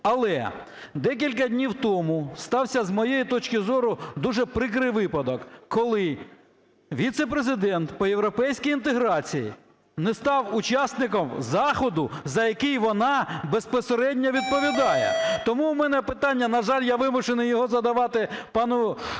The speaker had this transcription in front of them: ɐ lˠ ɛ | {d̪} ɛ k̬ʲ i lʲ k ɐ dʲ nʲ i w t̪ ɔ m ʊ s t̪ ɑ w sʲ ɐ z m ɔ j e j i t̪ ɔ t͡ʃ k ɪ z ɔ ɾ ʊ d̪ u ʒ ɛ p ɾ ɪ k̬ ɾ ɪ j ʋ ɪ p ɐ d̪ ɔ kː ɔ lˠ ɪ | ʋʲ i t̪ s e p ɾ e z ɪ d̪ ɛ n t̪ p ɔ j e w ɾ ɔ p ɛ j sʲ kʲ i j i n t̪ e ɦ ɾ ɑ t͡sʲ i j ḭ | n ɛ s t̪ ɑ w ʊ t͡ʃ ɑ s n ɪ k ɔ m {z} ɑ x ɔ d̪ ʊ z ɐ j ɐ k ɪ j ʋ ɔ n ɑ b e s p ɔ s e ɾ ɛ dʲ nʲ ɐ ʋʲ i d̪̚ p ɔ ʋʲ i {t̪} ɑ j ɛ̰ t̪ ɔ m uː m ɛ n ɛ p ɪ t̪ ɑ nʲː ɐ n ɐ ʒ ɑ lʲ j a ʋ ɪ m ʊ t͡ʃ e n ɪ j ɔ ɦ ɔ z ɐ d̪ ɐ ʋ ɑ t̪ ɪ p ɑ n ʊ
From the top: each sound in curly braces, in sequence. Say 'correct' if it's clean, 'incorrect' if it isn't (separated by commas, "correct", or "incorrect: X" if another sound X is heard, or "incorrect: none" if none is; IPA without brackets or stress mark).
correct, correct, incorrect: d̪